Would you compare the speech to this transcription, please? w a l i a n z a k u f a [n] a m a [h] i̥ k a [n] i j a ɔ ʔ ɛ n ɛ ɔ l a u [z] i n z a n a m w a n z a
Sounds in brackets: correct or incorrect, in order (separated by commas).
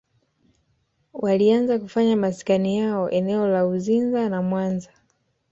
incorrect, incorrect, correct, correct